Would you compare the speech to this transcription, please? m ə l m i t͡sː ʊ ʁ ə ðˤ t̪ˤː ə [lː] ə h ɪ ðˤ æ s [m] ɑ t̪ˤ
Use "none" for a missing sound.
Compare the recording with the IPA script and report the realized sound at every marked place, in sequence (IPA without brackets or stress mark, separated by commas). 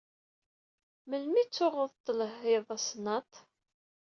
l, n